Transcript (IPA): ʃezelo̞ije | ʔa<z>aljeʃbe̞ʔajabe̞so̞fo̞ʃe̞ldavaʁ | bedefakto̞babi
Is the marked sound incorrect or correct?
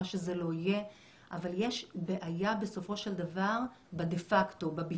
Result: incorrect